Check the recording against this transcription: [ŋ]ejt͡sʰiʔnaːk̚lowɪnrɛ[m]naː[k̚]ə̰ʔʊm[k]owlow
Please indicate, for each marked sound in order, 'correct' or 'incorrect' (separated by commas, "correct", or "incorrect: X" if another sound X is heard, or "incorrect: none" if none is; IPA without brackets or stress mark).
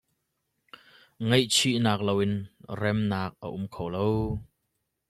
correct, correct, correct, incorrect: kʰ